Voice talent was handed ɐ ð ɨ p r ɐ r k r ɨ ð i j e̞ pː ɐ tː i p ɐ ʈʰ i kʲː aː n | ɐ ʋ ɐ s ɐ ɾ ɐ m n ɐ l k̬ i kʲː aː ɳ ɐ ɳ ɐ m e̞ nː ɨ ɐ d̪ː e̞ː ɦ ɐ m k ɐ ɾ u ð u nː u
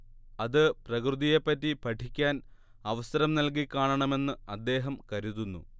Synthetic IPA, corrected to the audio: ɐ ð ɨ p r ɐ k r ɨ ð i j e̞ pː ɐ tː i p ɐ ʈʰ i kʲː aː n | ɐ ʋ ɐ s ɐ ɾ ɐ m n ɐ l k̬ i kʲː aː ɳ ɐ ɳ ɐ m e̞ nː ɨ ɐ d̪ː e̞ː ɦ ɐ m k ɐ ɾ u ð u nː u